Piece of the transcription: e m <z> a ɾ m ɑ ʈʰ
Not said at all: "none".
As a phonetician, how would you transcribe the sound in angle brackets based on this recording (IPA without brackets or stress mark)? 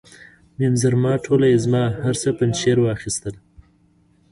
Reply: z